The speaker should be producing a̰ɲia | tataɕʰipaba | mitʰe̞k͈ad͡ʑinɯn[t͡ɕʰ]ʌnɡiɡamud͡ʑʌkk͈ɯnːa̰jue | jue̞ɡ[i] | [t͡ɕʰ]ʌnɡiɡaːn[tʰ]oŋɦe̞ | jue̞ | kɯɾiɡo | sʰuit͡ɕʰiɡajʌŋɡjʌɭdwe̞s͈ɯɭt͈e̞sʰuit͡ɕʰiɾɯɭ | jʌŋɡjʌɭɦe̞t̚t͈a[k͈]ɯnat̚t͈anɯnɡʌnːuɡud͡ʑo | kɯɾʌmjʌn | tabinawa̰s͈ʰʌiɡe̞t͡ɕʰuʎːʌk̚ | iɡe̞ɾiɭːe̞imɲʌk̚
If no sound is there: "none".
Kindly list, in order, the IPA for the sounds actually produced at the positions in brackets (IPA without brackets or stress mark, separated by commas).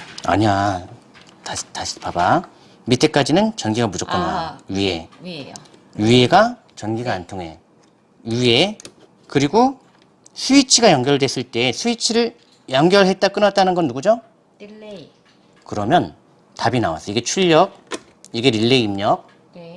t͡ɕ, a, t͡ɕ, tʰ, k͈